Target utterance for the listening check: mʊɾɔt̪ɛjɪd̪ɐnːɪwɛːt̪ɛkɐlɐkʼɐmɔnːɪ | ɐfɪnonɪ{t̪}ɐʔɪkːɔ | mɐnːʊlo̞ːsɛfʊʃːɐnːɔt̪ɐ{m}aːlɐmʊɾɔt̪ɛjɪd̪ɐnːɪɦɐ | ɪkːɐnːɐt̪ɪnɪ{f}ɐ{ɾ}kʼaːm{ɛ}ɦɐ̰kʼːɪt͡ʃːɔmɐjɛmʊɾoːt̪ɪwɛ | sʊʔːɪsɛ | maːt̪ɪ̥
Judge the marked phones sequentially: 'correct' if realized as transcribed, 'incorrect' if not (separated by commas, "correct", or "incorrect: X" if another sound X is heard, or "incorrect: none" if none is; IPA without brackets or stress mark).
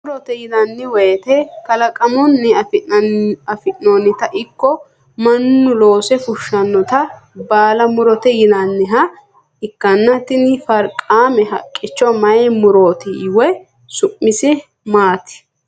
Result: correct, incorrect: b, correct, correct, correct